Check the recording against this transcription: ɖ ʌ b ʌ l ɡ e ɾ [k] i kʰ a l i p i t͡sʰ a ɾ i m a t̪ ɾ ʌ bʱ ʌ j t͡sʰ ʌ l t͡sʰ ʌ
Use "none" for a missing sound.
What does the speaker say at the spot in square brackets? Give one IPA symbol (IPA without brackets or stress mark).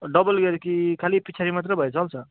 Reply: k